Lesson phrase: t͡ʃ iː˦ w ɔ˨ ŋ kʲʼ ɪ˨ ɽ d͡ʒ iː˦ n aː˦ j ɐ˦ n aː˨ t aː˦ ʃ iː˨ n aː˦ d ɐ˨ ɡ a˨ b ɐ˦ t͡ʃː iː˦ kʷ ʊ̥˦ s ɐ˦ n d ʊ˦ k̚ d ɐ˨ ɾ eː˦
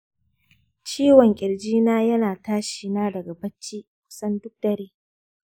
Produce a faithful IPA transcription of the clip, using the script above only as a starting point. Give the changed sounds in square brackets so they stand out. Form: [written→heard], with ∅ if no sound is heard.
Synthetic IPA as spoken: t͡ʃ iː˦ w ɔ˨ ŋ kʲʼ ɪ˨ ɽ d͡ʒ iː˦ n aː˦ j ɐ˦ n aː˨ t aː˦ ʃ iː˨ n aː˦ d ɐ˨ ɡ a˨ b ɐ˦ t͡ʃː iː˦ kʷ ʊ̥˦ s ɐ˦ n d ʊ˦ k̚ d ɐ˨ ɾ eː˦